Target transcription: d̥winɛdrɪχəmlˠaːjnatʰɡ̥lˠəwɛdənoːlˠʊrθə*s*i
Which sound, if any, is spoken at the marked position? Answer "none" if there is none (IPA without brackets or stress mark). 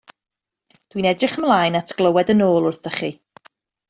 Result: χ